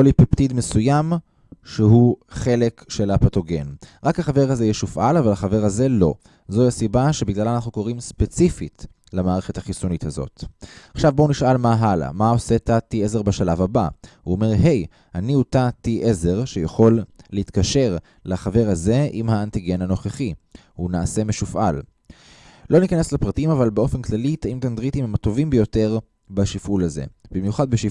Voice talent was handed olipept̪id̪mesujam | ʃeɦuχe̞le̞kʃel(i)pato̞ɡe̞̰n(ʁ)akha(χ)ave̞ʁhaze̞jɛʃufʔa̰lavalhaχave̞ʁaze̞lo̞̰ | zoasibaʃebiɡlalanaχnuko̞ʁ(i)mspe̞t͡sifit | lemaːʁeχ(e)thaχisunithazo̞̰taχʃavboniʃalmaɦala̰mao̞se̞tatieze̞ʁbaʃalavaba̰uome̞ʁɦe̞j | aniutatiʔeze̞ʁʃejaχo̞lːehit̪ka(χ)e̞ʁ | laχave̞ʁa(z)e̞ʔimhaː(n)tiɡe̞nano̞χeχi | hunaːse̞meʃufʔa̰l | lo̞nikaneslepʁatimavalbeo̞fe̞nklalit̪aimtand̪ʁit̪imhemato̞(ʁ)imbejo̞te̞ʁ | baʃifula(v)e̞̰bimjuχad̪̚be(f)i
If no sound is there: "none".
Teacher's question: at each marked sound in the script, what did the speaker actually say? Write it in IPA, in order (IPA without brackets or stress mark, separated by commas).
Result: a, ʁ, χ, i, e, ʃ, z, n, v, z, ʃ